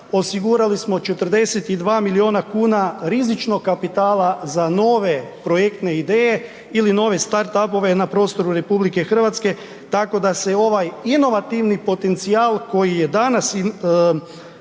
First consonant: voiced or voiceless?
voiceless